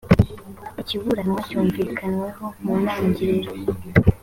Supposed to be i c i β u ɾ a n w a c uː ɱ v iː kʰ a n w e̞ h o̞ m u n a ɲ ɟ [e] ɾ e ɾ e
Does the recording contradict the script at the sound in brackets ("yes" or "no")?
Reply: yes